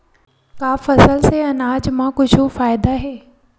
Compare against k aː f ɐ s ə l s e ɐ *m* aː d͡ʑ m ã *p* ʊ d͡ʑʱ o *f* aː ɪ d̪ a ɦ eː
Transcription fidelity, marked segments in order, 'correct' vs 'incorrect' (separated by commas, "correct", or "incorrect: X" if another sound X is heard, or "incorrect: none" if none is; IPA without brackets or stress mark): incorrect: n, incorrect: k, correct